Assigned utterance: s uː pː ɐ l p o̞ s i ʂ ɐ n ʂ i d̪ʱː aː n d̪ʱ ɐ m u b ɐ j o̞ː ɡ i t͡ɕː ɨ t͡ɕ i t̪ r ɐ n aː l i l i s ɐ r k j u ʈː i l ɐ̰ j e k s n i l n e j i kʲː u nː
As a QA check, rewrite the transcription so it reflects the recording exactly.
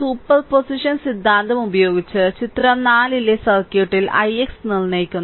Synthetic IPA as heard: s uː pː ɐ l p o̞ s i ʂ ɐ n s i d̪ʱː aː n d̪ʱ ɐ m u b ɐ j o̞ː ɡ i t͡ɕː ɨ t͡ɕ i t̪ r ɐ n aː l i l e s ɐ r k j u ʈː i l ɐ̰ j e k s n i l n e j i kʲː u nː